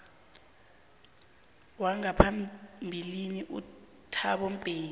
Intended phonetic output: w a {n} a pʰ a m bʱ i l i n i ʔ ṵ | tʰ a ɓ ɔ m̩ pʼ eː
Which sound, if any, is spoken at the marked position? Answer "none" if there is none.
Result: ŋ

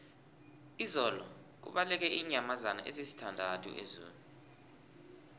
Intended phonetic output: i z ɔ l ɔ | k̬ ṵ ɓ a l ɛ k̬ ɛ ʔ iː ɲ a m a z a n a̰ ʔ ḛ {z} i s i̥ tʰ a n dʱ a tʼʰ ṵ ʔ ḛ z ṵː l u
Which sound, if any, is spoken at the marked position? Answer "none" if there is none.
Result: z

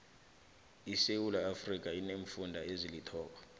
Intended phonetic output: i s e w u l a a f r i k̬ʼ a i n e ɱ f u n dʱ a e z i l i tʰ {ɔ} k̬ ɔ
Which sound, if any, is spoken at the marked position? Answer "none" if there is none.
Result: ɔː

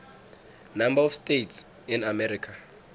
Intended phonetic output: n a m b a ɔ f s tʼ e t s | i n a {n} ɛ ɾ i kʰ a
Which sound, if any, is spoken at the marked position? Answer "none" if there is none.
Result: m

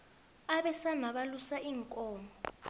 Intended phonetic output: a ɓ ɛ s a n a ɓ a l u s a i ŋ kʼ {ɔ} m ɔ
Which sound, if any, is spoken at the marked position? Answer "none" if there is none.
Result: ɔː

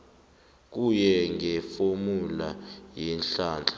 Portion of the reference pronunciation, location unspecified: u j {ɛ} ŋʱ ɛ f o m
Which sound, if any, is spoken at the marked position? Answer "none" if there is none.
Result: ɛ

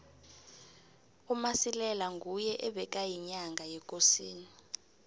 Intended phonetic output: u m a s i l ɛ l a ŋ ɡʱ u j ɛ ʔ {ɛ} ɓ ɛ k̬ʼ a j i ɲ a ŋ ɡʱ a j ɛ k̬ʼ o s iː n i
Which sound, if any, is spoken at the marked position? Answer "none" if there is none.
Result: ɛ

